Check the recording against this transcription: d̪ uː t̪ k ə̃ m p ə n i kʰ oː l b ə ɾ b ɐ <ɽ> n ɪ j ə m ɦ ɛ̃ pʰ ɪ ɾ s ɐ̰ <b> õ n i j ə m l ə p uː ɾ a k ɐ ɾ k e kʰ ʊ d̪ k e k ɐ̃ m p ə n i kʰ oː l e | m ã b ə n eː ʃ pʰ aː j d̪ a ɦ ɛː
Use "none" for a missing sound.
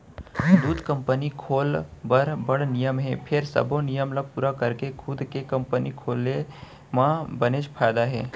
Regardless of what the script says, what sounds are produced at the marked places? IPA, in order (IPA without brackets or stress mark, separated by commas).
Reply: ɽ, b